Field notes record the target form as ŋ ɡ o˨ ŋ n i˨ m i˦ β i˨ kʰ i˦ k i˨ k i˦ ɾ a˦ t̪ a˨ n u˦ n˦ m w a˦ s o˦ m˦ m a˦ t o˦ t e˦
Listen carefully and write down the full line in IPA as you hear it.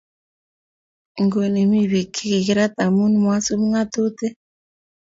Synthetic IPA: ŋ ɡ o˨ n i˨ m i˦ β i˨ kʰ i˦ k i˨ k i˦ ɾ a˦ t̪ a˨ m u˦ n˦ m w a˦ s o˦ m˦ ŋ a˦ t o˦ t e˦